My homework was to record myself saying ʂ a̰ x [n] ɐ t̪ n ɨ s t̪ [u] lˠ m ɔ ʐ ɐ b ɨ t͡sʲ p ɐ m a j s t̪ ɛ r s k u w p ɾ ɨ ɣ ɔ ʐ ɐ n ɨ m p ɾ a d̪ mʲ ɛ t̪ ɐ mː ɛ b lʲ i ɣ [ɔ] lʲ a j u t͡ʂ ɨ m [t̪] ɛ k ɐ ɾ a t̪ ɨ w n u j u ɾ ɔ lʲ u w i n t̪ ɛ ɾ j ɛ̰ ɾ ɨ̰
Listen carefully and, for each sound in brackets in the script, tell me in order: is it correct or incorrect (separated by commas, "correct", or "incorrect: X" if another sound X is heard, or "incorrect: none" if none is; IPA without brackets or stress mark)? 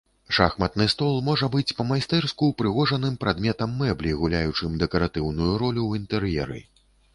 incorrect: m, incorrect: ɔ, incorrect: u, incorrect: d̪